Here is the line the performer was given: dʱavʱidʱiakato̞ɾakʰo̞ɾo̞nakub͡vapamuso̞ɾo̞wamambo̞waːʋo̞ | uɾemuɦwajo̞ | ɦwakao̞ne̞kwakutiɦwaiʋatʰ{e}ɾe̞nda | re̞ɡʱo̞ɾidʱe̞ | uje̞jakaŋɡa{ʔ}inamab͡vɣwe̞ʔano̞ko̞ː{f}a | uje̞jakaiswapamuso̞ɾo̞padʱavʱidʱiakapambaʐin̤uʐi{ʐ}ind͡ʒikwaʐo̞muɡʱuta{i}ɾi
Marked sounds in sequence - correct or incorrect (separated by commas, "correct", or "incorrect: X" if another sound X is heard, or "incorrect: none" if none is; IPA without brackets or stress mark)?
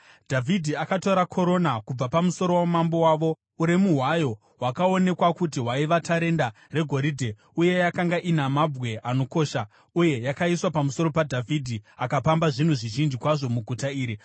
incorrect: a, correct, incorrect: ʃ, incorrect: ʒ, incorrect: iː